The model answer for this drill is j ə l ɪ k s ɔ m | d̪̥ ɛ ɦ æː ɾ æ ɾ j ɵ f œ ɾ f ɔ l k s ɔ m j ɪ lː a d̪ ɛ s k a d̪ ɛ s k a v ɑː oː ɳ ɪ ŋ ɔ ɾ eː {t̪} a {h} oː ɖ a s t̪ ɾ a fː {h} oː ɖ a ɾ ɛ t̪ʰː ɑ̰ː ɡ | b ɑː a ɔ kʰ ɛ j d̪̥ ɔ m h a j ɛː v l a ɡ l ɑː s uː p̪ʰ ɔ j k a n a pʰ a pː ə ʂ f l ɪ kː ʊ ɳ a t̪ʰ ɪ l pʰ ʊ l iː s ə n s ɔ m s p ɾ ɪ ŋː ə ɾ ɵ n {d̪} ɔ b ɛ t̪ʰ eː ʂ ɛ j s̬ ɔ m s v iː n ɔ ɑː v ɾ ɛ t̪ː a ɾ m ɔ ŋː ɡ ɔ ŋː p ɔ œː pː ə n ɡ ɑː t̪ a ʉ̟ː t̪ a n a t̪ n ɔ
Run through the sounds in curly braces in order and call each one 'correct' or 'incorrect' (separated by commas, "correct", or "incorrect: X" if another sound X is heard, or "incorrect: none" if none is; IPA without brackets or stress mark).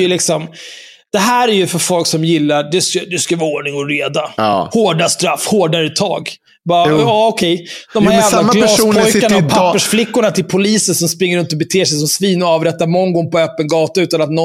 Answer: incorrect: d̪, correct, correct, incorrect: t̪